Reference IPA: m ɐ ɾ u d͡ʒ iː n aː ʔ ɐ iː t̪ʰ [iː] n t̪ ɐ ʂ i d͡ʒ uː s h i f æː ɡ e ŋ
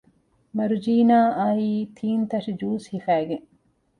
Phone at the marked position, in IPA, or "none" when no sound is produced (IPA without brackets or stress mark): iː